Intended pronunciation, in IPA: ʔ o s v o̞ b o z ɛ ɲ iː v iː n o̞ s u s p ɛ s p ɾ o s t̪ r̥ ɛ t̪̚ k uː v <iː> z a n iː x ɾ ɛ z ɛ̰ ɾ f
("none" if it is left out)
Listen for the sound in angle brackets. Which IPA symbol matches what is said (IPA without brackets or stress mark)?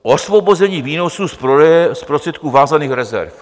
aː